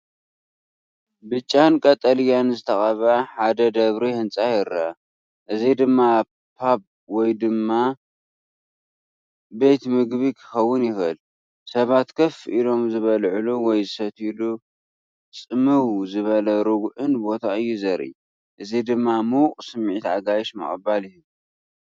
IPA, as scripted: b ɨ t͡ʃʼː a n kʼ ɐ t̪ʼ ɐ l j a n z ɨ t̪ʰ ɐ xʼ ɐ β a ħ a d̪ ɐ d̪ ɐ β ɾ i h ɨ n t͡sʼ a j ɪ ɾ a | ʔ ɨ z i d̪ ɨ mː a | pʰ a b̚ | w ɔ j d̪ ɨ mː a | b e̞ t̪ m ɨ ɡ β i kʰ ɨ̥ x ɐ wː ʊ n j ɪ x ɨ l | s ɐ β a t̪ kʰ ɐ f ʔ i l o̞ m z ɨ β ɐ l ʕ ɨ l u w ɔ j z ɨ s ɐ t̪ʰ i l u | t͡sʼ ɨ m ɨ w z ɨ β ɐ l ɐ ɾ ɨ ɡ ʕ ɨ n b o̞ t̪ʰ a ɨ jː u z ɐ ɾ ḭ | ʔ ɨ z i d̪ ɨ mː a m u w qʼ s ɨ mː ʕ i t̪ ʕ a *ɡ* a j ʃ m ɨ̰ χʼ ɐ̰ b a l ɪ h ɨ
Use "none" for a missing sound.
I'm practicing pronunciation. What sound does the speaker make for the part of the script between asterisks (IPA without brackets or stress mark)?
ɡ